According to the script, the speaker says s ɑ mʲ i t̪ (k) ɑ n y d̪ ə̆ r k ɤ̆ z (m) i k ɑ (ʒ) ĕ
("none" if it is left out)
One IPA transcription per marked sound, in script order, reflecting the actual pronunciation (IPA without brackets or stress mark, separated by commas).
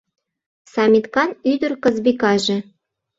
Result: k, b, ʒ